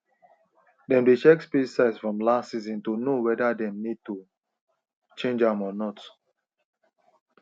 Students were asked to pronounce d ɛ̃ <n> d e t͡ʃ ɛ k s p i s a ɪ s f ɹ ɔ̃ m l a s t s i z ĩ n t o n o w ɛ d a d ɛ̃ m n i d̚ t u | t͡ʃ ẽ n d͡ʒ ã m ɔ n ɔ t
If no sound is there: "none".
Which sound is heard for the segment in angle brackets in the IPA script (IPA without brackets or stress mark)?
m